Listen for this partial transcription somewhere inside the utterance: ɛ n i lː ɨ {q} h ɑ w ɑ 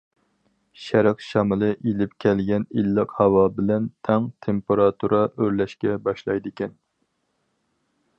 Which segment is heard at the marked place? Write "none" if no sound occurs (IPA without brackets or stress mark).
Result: q